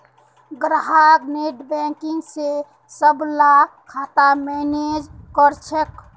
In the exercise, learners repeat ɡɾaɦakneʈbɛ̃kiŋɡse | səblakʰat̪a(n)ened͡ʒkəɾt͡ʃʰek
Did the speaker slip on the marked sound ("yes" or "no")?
yes